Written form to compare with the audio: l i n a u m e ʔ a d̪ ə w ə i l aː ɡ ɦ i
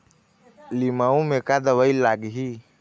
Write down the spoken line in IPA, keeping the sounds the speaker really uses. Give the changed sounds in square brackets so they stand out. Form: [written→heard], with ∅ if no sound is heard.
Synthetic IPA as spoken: l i [n→m] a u m e [ʔ→k] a d̪ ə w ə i l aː ɡ ɦ i